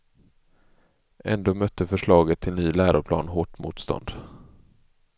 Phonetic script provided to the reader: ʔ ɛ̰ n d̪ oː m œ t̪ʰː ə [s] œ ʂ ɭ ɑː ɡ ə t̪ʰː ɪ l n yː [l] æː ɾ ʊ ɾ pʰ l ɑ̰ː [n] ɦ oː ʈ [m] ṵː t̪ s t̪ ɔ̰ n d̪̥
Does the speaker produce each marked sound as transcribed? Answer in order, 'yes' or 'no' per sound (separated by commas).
no, yes, yes, yes